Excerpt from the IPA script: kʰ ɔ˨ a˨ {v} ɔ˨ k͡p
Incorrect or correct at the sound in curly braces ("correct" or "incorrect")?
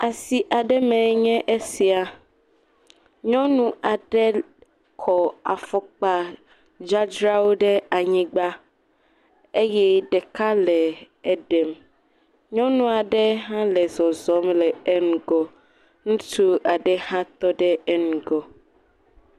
incorrect